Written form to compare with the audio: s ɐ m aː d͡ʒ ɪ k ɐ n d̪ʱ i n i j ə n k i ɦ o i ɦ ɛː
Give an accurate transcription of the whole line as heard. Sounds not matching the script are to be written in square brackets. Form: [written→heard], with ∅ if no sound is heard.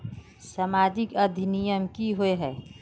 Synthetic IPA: s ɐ m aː d͡ʒ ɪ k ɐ [n→∅] d̪ʱ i n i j ə [n→m] k i ɦ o [i→e] ɦ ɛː